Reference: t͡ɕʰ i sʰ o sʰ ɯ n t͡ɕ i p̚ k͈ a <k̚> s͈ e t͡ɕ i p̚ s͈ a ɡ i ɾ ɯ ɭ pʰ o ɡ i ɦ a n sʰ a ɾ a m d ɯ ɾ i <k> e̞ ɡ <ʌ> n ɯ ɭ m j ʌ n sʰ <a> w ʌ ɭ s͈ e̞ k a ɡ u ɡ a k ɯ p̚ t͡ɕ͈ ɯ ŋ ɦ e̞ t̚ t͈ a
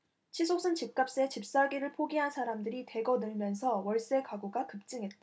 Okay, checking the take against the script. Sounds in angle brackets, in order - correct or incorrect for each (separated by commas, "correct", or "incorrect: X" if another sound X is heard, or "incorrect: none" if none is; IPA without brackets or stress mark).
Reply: incorrect: p̚, incorrect: t, correct, incorrect: ʌ